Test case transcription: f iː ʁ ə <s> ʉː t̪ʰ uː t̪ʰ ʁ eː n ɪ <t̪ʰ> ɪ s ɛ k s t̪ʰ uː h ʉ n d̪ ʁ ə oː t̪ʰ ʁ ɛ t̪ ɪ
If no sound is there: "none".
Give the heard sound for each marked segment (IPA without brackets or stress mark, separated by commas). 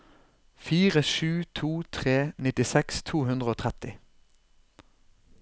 ʃ, t̪